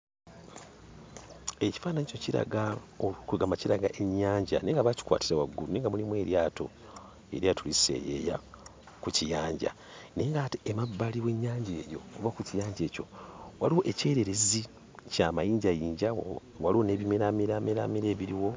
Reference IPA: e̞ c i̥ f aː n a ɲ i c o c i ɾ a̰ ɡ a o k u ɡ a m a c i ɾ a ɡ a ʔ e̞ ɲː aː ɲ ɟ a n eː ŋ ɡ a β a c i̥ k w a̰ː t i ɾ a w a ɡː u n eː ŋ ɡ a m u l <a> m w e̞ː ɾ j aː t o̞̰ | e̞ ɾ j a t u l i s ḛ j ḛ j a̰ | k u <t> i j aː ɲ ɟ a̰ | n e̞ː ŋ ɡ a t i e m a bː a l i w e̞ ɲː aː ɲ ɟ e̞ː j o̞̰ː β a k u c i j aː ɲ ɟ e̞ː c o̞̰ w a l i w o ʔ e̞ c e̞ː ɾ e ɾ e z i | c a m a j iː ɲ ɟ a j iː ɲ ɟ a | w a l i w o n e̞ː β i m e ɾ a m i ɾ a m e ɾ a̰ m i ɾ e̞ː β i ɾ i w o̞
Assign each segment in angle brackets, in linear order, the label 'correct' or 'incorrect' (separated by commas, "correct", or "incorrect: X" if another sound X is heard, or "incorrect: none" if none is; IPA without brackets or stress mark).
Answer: incorrect: i, incorrect: c